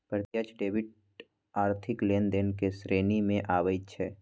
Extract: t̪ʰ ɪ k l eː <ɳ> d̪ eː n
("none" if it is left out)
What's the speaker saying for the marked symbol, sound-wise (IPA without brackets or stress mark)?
n